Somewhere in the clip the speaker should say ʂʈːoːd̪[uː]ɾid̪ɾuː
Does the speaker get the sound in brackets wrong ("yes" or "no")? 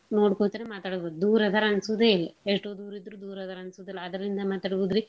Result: no